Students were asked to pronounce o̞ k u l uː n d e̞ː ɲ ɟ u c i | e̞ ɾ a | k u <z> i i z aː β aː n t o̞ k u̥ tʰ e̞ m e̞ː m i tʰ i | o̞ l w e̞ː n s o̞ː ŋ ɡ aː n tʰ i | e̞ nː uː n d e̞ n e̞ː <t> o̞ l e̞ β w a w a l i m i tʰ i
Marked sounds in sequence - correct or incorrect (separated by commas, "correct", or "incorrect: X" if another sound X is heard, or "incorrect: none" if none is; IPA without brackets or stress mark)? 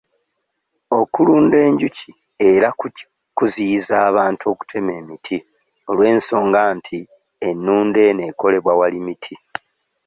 correct, incorrect: k